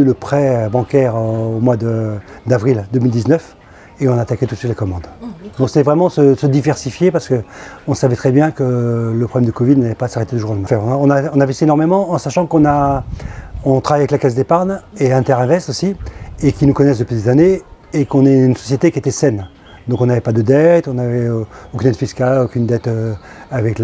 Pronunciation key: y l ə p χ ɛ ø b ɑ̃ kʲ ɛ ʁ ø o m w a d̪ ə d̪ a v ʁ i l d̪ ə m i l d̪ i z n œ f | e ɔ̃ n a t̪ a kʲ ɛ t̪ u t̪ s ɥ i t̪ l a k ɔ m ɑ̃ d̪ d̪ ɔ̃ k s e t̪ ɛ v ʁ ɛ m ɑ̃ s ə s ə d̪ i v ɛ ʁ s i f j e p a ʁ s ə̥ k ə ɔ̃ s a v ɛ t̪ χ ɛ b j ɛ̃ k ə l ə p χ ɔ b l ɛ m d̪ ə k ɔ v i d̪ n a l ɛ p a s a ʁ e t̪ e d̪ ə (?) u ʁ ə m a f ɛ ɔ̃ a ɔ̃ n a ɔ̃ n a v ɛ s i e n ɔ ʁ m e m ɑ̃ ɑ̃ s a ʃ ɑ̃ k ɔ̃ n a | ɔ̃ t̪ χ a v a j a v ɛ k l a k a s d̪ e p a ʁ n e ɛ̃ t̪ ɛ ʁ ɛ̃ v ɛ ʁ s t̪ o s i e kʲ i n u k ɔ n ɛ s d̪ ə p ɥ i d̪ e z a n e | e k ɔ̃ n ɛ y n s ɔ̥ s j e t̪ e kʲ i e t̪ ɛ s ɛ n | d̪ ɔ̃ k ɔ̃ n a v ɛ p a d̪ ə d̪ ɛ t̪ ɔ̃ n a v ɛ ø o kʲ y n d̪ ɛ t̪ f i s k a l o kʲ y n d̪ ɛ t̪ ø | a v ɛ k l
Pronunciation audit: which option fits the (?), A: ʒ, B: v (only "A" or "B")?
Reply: A